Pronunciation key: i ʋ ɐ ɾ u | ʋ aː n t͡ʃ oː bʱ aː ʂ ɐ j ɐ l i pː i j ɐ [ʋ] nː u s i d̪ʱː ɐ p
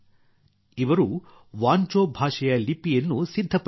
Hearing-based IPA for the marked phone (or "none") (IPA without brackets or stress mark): none